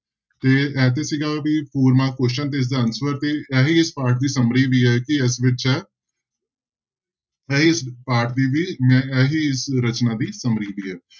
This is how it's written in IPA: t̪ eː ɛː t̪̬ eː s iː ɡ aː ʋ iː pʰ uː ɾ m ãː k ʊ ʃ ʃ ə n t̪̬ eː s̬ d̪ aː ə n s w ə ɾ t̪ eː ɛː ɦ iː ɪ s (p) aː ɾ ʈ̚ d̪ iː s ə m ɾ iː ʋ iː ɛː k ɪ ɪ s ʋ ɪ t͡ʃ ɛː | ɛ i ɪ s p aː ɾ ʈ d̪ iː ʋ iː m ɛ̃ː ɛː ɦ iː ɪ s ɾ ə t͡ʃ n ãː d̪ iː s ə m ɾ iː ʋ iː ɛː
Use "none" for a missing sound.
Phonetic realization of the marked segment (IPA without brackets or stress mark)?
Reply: p